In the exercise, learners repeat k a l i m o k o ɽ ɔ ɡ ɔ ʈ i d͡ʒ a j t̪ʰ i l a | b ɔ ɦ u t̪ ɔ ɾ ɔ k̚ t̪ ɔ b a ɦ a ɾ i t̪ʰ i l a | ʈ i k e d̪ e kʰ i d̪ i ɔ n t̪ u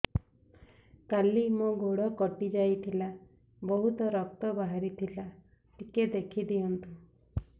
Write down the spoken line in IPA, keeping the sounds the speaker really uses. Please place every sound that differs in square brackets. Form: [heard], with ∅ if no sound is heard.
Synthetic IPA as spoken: k a l i m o [ɡ] o ɽ ɔ [k] ɔ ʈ i d͡ʒ a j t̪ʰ i l a | b ɔ ɦ u t̪ ɔ ɾ ɔ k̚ t̪ ɔ b a ɦ a ɾ i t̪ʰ i l a | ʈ i k e d̪ e kʰ i d̪ i ɔ n t̪ u